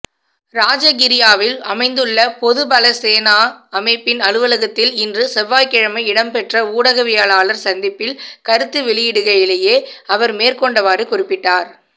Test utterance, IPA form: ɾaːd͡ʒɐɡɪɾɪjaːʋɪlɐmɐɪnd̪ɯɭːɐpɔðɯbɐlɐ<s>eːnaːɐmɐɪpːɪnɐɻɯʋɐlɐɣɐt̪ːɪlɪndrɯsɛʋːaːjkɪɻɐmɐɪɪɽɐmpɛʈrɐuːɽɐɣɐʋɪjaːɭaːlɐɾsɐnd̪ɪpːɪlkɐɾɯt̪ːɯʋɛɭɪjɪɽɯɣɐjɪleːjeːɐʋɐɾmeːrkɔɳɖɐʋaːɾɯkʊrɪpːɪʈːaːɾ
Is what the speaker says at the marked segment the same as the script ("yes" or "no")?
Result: yes